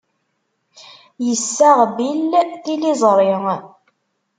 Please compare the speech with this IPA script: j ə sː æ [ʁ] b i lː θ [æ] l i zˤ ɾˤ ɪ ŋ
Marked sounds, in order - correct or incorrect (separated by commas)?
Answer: correct, incorrect